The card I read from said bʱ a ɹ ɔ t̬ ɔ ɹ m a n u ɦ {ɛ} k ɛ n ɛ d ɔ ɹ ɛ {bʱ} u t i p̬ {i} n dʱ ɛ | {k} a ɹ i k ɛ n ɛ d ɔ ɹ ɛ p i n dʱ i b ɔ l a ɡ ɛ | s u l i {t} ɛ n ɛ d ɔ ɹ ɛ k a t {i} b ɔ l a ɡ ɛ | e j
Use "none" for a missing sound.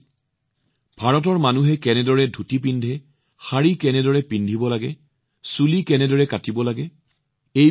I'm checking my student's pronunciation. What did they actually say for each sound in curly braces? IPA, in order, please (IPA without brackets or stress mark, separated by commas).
ɛ, dʱ, i, x, k, i